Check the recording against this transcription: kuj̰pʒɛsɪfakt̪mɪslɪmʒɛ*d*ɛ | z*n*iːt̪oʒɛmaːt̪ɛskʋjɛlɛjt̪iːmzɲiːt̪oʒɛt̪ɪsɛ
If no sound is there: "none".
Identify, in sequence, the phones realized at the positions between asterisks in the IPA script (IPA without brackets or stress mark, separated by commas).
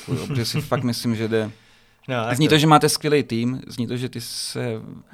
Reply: d, ɲ